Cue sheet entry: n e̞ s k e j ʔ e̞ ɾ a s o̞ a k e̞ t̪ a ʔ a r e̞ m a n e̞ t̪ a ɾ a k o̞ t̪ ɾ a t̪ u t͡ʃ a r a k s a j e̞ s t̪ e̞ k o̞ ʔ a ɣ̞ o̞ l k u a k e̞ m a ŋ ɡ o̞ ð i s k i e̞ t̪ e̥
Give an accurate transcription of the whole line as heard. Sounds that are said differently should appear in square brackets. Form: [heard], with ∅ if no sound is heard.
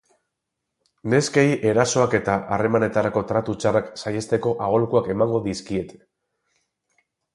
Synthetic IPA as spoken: n e̞ s k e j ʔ e̞ ɾ a s o̞ a k e̞ t̪ a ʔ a r e̞ m a n e̞ t̪ a ɾ a k o̞ t̪ ɾ a t̪ u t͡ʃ a r a k s a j e̞ s t̪ e̞ k o̞ ʔ a ɣ̞ o̞ l k u a k e̞ m a ŋ ɡ o̞ ð i s k i e̞ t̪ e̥